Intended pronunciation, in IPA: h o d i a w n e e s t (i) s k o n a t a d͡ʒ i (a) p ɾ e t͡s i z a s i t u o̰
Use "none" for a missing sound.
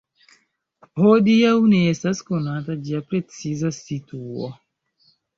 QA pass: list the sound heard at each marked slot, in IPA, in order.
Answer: a, a

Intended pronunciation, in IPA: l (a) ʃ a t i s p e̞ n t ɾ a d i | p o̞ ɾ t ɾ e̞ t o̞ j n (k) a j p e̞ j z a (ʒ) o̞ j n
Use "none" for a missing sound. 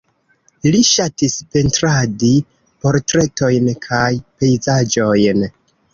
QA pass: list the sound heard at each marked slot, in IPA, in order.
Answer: i, kʰ, d͡ʒ

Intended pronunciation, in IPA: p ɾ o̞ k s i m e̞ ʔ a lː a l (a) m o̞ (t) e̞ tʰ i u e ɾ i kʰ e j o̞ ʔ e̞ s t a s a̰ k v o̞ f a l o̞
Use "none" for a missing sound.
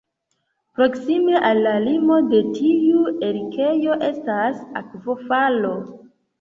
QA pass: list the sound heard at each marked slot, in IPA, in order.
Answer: i, d

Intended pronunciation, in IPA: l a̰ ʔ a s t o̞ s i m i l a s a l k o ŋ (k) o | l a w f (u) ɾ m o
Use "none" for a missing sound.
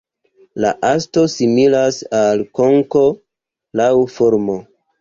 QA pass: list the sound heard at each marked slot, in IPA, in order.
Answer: k, o

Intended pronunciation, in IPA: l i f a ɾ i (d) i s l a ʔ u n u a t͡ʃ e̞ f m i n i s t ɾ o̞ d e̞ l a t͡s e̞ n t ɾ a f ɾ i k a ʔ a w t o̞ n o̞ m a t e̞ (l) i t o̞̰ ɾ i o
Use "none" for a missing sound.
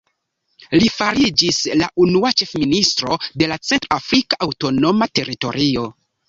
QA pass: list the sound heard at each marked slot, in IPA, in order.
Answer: d͡ʒ, ɾ

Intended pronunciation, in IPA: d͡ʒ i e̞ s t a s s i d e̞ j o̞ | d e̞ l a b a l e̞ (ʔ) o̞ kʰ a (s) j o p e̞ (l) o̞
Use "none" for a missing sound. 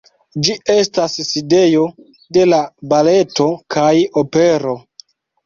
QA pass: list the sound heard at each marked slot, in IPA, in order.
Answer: t, none, ɾ

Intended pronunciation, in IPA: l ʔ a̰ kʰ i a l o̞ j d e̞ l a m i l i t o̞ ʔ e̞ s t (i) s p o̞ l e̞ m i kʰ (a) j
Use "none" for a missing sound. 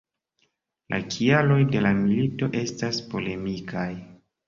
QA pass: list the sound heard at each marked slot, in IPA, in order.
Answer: a, a

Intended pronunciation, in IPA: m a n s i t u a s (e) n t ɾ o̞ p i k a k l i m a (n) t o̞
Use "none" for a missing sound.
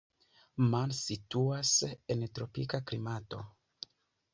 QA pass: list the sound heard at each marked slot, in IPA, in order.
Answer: e, none

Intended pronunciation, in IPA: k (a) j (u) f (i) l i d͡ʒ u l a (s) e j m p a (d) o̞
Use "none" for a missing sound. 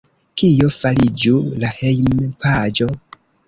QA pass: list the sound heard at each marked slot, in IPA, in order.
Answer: i, o, a, h, d͡ʒ

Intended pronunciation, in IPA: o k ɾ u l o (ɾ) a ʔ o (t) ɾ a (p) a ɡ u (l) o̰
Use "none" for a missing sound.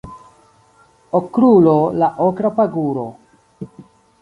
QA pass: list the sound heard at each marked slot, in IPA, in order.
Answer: l, k, p, ɾ

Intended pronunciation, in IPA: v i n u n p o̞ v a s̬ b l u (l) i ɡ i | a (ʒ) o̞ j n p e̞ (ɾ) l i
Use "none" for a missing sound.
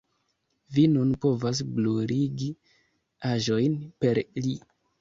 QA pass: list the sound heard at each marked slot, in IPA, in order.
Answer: ɾ, ʒ, ɾ

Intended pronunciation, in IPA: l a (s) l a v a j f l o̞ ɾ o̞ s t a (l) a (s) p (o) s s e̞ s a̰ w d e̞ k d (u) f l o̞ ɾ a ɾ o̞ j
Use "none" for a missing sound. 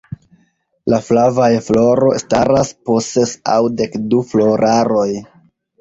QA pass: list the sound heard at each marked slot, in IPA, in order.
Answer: f, ɾ, s, o, u

